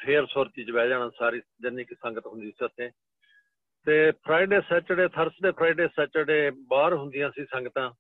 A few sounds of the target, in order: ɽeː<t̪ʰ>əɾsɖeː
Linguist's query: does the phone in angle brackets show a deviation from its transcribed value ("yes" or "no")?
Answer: no